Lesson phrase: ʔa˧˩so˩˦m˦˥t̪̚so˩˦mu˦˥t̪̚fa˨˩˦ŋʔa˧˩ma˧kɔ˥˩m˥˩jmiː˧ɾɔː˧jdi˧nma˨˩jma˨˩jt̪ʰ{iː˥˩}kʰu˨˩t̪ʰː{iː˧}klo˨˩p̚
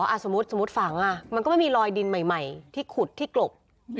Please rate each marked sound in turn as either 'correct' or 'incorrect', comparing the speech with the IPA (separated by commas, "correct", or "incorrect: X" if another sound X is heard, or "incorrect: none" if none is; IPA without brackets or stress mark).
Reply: correct, incorrect: iː˥˩